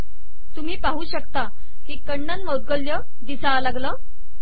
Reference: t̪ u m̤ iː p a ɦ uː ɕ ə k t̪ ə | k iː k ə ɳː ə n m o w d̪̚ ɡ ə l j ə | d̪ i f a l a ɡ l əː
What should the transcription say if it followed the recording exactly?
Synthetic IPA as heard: t̪ u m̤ iː p a ɦ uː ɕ ə k t̪ a | k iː k ə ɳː ə n m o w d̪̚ ɡ ə l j ə | d̪ i s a l a ɡ l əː

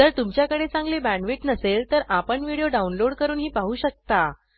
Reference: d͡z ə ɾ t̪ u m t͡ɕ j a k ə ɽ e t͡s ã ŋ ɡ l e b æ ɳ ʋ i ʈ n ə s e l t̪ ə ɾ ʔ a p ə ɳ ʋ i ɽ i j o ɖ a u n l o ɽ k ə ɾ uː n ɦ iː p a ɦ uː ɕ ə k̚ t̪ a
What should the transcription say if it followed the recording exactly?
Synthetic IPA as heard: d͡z ə ɾ t̪ u m t͡ɕ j a k ə ɽ e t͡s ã ŋ ɡ l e b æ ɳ ʋ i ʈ n ə s e l t̪ ə ɾ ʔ a p ə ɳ ʋ i ɽ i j o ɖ a u n l o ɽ k ə ɾ uː n ɦ iː p a ɦ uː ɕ ə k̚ t̪ a

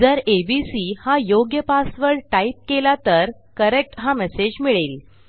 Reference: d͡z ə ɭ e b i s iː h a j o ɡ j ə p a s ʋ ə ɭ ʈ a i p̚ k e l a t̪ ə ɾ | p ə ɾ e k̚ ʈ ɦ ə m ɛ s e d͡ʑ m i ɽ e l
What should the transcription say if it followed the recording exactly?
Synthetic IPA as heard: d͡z ə ɾ e b i s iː h a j o ɡ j ə p a s ʋ ə ɭ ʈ a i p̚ k e l a t̪ ə ɾ | k ə ɾ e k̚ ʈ ɦ a m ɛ s e d͡ʑ m i ɭ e l

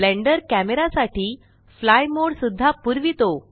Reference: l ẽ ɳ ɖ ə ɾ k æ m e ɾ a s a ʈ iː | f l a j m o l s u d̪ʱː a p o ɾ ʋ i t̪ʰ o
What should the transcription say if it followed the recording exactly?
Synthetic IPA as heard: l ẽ ɳ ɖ ə ɾ k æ m e ɾ a s a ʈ iː | f l a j m o ɽ s u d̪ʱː a p u ɾ ʋ i t̪ o

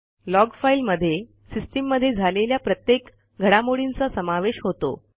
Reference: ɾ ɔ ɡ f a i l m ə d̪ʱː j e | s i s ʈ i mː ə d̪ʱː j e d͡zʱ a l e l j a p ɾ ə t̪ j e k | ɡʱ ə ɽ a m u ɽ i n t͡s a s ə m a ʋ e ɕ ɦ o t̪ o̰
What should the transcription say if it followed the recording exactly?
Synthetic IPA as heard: l ɔ ɡ f a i l m ə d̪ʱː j e | s i s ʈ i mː ə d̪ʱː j e d͡zʱ a l e l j a p ɾ ə t̪ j e k | ɡʱ ə ɽ a m o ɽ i n t͡s a s ə m a ʋ e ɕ ɦ o t̪ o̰

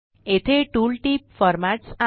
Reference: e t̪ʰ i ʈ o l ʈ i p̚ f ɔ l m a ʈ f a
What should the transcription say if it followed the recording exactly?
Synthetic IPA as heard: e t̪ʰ e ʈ u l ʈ i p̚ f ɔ ɾ m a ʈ s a

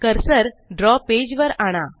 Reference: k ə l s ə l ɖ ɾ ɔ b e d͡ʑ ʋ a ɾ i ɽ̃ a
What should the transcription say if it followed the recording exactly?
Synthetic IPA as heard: k ə ɾ s ə ɾ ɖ ɾ ɔ p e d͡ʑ ʋ ə ɾ a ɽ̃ a

